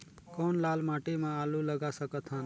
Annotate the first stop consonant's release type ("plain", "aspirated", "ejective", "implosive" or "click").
plain